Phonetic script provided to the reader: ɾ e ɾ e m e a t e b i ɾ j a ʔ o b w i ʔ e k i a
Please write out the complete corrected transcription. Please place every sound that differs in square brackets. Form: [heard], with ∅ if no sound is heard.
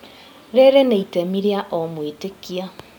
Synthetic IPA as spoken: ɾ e ɾ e [n] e [i] t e [m] i ɾ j a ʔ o [m] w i [t] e k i a